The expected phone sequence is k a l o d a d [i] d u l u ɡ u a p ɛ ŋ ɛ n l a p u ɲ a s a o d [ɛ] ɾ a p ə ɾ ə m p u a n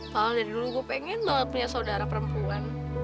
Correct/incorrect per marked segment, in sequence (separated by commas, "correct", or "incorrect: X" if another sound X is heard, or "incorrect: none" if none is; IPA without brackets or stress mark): correct, incorrect: a